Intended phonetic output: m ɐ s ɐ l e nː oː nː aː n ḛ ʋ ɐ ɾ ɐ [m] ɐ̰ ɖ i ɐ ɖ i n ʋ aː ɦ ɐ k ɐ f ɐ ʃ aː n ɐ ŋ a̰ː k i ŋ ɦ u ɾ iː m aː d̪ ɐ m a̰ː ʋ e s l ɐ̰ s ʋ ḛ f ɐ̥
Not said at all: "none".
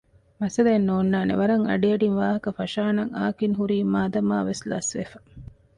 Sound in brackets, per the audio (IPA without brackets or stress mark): ŋ